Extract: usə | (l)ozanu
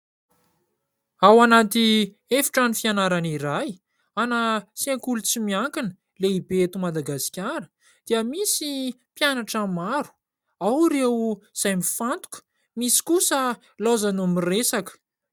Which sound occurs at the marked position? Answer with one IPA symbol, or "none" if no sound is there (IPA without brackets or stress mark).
l